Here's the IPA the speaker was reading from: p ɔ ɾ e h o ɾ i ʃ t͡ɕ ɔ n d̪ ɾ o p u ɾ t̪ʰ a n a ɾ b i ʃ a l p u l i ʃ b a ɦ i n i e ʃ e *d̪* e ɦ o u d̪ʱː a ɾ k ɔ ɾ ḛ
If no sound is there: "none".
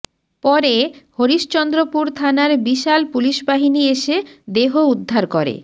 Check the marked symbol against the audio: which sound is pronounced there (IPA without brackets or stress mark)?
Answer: d̪